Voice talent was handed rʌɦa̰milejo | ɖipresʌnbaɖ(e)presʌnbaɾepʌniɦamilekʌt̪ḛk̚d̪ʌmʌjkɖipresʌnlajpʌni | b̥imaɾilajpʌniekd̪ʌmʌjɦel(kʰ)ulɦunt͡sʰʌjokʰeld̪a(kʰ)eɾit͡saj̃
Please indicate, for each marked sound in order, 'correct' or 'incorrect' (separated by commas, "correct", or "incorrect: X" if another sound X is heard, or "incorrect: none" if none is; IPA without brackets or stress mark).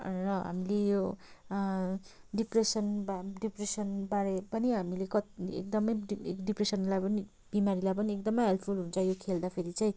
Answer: incorrect: i, incorrect: pʰ, incorrect: pʰ